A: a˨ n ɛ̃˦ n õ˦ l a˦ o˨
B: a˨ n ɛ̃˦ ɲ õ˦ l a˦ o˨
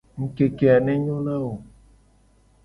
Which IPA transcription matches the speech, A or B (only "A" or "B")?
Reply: B